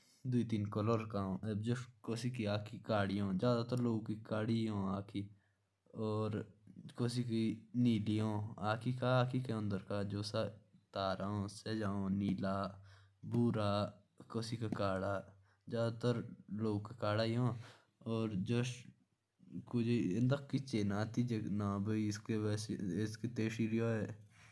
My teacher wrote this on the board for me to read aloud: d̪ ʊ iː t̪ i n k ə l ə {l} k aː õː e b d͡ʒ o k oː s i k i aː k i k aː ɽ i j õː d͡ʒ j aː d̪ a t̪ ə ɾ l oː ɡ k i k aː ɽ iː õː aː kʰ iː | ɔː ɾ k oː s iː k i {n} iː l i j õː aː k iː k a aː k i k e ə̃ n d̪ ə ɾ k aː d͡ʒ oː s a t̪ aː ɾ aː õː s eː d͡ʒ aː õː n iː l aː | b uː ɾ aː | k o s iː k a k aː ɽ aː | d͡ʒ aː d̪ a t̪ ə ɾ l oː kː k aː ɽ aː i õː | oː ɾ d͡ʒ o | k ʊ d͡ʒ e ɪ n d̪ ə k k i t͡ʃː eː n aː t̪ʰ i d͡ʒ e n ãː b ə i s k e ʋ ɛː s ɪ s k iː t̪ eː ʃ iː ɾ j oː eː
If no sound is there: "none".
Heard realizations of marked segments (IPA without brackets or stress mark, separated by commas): ɾ, n